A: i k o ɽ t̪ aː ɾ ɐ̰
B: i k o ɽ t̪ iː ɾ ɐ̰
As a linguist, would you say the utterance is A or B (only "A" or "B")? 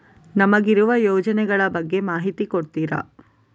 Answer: B